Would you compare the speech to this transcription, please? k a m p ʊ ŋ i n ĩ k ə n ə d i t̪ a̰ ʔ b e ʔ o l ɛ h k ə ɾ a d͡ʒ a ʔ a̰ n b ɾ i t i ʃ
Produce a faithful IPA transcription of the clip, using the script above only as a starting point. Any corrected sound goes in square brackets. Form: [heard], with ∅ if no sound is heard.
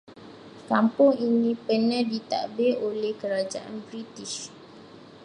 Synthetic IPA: k a m p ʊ ŋ i n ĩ [p] ə n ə d i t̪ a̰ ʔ b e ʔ o l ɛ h k ə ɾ a d͡ʒ a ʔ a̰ n b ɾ i t i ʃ